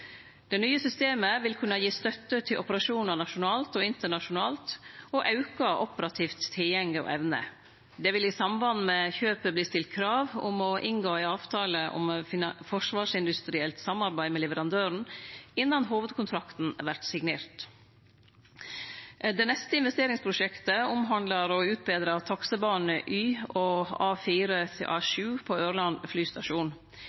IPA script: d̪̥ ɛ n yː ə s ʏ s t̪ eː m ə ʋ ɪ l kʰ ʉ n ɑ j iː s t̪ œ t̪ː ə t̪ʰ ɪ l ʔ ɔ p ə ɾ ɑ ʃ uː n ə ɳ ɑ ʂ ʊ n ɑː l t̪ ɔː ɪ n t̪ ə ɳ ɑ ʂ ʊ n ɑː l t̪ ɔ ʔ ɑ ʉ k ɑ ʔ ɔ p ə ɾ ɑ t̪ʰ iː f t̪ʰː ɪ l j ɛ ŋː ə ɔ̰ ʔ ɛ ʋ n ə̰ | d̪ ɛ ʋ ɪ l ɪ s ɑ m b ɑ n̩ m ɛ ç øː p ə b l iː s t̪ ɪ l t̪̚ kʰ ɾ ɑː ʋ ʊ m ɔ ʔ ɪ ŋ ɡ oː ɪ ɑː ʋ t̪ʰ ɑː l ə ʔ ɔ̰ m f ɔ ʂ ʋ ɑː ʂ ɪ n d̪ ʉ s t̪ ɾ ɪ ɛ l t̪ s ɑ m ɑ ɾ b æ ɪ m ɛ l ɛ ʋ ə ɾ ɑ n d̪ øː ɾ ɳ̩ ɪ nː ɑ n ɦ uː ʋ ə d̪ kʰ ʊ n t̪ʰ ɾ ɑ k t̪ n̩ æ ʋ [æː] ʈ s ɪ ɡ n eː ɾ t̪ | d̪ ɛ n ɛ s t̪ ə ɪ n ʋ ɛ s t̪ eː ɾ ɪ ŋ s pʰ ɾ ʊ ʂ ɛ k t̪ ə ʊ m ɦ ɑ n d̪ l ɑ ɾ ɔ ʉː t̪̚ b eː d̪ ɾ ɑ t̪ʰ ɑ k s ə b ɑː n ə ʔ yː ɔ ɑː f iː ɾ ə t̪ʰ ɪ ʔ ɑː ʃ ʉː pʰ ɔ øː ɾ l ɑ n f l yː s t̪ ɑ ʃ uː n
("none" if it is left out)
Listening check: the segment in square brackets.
æ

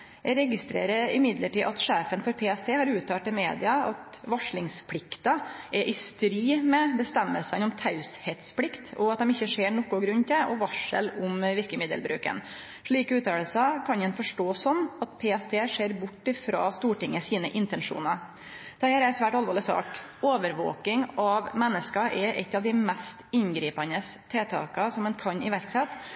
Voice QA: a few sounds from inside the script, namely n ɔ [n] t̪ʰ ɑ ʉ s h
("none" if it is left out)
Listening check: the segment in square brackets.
m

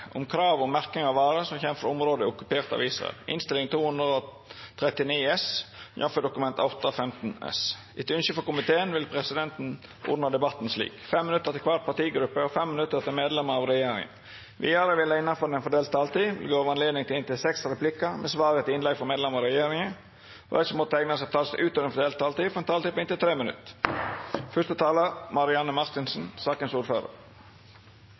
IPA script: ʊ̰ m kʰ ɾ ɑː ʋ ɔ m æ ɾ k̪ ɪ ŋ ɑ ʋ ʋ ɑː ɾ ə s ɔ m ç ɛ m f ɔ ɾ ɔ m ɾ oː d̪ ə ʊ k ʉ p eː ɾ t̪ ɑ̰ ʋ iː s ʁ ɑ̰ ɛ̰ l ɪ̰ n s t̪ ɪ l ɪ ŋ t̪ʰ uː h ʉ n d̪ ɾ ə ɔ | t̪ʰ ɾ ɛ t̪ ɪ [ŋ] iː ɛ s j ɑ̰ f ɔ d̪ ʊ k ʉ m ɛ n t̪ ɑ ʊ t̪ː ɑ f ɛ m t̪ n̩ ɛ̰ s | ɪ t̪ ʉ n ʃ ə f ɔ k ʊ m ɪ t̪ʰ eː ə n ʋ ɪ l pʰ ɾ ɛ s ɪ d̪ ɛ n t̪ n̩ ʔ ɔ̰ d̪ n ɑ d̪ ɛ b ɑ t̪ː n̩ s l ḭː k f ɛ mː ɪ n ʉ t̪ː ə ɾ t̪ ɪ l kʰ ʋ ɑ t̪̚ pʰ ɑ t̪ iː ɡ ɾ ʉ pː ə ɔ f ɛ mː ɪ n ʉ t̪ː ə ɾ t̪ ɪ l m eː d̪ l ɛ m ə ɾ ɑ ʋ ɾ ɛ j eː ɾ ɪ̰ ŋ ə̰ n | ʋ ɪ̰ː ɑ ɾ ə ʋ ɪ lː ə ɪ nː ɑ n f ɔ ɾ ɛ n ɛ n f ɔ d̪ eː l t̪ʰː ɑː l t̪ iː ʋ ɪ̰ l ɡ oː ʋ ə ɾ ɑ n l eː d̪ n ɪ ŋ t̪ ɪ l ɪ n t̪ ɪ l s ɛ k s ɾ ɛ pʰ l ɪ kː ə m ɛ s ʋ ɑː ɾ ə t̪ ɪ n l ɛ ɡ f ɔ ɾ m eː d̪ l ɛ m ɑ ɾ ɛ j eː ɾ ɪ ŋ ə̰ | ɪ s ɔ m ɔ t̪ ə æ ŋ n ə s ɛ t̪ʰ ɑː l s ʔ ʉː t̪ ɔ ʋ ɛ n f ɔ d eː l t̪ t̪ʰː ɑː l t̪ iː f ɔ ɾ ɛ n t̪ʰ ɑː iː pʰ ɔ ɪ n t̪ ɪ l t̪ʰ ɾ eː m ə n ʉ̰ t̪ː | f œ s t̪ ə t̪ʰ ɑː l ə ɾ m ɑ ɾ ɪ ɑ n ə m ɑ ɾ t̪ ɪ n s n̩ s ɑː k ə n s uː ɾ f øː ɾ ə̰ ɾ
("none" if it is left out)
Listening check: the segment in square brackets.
n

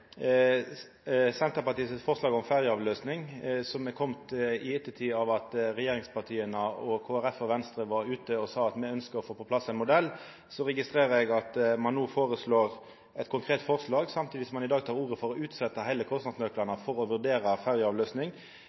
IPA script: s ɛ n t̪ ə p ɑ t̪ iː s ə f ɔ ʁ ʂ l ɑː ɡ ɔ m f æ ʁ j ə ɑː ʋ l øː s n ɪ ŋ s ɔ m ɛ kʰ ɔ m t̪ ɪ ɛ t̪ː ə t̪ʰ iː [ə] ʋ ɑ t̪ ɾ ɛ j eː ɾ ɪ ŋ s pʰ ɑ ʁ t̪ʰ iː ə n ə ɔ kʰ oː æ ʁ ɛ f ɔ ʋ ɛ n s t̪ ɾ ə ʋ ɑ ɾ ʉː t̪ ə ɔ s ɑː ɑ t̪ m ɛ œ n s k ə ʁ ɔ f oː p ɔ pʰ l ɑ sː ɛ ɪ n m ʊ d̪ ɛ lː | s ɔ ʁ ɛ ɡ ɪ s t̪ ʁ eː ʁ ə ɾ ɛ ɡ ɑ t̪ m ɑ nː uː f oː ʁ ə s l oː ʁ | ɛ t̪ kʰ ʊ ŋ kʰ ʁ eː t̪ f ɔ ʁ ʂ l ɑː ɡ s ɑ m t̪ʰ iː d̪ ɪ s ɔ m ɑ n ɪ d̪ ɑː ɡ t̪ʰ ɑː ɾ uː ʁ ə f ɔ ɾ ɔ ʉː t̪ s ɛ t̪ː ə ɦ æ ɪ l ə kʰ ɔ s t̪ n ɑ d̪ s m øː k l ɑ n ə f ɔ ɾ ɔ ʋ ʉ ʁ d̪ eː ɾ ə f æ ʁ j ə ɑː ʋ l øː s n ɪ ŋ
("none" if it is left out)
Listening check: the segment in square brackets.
ɑ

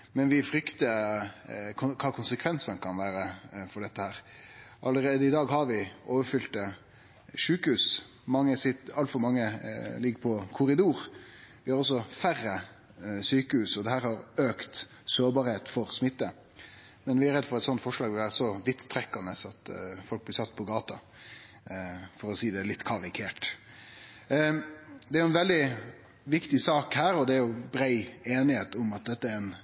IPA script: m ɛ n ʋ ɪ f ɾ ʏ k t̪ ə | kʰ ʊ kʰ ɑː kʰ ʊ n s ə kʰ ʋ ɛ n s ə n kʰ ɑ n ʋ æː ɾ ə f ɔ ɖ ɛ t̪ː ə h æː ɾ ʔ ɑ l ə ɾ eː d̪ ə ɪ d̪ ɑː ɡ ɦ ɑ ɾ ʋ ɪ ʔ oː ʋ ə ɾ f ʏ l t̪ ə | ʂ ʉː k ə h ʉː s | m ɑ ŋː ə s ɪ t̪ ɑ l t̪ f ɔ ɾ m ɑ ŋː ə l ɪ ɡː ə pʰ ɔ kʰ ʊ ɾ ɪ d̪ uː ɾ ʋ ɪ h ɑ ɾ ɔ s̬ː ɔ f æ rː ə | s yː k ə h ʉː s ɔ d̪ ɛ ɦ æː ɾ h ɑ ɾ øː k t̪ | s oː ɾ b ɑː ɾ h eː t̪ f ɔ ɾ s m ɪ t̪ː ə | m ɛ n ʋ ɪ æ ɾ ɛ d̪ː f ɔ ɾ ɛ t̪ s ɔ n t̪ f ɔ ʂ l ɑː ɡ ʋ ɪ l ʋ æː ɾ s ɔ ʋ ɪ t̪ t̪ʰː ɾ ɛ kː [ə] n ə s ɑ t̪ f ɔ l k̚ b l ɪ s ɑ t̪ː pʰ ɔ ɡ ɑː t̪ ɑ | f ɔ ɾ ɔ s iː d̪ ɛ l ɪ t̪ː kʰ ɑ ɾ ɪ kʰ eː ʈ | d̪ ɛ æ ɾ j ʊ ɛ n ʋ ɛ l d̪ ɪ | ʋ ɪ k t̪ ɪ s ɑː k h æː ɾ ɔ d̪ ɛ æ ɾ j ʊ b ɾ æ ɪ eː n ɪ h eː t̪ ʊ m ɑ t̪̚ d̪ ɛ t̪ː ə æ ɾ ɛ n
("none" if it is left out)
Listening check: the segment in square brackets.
ɑ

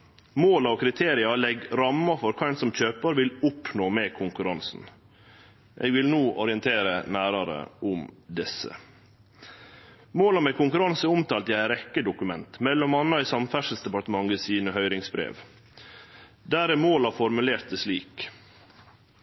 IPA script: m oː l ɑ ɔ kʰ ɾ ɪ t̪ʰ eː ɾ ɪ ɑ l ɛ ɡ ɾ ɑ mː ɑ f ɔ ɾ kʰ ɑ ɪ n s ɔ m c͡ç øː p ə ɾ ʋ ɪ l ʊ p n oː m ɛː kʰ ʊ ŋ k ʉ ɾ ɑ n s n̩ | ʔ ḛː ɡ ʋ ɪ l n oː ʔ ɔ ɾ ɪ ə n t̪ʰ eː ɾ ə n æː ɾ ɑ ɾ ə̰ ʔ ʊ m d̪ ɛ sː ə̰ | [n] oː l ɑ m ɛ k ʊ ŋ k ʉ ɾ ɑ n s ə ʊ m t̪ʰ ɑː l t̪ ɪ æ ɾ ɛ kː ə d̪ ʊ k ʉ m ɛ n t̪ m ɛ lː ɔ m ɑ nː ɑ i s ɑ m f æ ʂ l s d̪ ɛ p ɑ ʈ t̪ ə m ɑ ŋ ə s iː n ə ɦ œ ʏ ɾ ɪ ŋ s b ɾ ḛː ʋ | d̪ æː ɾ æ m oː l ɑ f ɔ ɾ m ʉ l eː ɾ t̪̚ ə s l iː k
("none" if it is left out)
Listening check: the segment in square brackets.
m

